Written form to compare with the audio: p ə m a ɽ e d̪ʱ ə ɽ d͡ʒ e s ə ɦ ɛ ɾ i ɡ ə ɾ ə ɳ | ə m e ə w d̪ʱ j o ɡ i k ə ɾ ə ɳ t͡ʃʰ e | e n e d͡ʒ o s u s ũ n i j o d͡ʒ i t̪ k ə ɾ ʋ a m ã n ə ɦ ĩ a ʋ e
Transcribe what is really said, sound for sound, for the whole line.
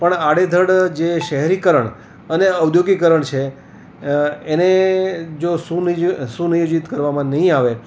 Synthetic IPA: p ə ɳ a ɽ e d̪ʱ ə ɽ d͡ʒ e ʃ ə ɦ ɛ ɾ i k ə ɾ ə ɳ | ə n e ə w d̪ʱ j o ɡ i k ə ɾ ə ɳ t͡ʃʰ e | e n e d͡ʒ o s u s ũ n i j o d͡ʒ i t̪ k ə ɾ ʋ a m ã n ə ɦ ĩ a ʋ e